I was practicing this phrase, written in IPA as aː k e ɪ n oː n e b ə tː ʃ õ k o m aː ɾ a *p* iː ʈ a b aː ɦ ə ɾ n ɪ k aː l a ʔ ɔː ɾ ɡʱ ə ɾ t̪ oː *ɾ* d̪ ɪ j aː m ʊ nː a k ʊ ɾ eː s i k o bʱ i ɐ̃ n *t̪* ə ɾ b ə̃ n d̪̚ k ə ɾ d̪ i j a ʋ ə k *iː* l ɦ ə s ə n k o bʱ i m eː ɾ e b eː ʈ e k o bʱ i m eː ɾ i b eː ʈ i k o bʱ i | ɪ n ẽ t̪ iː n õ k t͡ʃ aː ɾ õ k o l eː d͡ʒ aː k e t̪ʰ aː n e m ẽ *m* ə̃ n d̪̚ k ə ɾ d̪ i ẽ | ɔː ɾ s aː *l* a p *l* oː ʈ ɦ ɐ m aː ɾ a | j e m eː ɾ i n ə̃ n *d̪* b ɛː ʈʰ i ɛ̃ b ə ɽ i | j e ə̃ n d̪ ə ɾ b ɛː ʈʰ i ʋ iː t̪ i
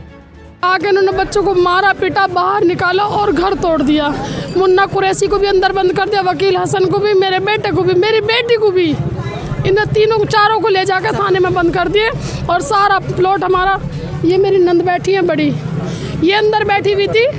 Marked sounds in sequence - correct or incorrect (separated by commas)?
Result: correct, incorrect, incorrect, correct, incorrect, incorrect, correct, correct